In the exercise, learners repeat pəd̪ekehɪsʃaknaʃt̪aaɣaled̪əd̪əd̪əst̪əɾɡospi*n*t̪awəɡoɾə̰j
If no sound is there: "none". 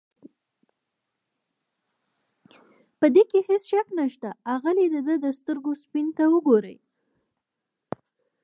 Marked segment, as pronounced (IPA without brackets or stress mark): n